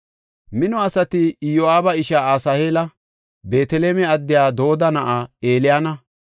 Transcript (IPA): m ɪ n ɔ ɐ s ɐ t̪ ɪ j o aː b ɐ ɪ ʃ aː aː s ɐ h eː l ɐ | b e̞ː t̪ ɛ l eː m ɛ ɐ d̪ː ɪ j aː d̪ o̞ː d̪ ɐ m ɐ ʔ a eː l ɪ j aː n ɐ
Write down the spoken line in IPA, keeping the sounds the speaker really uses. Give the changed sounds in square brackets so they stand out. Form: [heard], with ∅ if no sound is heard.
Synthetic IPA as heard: m ɪ n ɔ ɐ s ɐ t̪ ɪ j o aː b ɐ ɪ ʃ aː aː s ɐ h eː l ɐ | b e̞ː t̪ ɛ l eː m ɛ ɐ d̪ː ɪ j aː d̪ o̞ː d̪ ɐ [n] ɐ ʔ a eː l ɪ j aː n ɐ